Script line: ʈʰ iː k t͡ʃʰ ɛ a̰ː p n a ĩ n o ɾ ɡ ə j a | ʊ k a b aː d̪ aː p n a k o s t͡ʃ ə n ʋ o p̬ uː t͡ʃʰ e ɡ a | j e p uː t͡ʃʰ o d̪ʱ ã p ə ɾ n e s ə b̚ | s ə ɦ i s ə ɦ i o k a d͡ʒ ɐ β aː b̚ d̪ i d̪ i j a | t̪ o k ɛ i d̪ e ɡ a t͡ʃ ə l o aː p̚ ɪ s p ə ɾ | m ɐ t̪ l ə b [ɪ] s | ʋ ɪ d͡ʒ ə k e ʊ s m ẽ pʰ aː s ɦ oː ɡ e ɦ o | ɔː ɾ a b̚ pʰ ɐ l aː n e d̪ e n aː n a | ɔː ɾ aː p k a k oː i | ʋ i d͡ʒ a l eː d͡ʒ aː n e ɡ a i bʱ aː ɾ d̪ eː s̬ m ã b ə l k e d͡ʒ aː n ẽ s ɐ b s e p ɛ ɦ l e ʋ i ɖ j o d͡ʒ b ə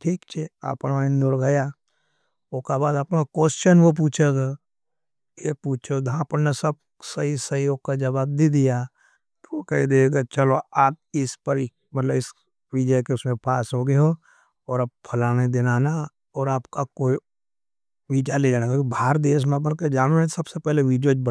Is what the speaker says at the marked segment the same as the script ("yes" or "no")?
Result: yes